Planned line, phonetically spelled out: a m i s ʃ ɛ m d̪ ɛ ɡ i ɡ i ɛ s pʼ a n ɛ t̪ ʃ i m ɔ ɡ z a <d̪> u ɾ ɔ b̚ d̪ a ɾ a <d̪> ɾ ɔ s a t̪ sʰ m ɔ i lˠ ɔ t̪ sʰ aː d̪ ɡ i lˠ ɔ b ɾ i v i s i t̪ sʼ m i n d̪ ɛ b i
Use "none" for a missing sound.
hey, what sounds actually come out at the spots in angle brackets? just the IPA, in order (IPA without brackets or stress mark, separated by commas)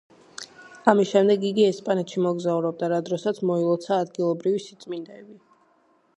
none, d̪